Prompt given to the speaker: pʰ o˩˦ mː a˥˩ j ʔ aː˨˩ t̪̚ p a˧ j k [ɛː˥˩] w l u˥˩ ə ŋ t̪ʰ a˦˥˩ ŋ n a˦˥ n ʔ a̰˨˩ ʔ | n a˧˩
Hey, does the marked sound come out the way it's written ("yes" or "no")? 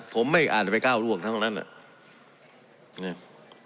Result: no